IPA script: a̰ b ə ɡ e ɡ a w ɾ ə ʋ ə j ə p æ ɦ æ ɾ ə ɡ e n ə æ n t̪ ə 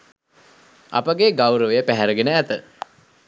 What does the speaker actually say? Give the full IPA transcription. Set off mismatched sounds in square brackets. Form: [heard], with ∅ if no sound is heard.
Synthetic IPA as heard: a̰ [p] ə ɡ e ɡ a w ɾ ə ʋ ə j ə p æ ɦ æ ɾ ə ɡ e n ə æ [∅] t̪ ə